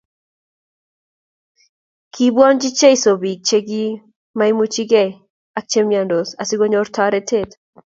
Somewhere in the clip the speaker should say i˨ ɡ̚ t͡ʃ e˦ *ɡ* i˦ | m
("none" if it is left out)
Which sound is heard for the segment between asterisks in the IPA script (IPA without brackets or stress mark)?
ɡ